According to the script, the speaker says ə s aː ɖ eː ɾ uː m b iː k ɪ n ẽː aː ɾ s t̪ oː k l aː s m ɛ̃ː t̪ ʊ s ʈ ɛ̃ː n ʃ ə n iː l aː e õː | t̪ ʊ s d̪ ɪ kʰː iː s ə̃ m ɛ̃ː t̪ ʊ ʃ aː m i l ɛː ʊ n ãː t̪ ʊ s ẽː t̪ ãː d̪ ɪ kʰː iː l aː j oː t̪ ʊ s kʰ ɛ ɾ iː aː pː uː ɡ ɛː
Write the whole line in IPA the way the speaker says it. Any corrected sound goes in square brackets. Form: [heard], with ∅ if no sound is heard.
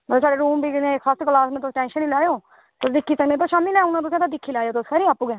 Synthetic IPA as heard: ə s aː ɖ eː ɾ uː m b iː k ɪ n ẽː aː [∅] s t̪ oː k l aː s m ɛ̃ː t̪ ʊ s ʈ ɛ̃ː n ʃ ə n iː l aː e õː | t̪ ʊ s d̪ ɪ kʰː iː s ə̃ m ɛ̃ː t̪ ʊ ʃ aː m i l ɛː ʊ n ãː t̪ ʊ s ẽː t̪ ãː d̪ ɪ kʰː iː l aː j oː t̪ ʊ s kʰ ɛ ɾ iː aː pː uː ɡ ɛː